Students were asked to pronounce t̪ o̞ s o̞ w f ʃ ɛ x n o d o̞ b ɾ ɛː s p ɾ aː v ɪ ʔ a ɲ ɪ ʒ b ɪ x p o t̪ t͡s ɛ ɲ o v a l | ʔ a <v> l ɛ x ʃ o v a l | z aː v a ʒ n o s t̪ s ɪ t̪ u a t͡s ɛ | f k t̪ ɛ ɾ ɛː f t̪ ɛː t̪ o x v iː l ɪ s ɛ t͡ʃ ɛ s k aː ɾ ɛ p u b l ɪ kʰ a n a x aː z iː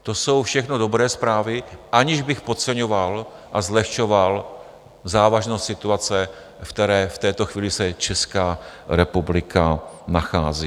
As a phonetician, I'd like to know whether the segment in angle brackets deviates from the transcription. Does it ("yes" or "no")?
yes